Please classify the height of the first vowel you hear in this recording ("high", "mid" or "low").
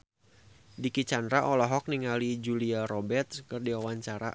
high